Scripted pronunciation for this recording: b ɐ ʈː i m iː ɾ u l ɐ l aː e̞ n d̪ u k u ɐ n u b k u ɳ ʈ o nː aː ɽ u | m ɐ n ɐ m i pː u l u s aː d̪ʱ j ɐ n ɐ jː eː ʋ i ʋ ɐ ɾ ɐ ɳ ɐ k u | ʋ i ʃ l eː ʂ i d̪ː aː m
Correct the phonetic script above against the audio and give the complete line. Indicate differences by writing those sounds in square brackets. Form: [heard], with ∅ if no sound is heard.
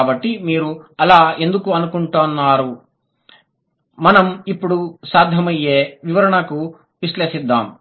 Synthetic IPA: b ɐ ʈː i m iː ɾ u [∅] ɐ l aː e̞ n d̪ u k u ɐ n u [∅] k u ɳ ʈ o nː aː [ɾ] u | m ɐ n ɐ m i pː u [ɽ] u s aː d̪ʱ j ɐ [m] ɐ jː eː ʋ i ʋ ɐ ɾ ɐ ɳ ɐ k u | ʋ i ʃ l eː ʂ i d̪ː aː m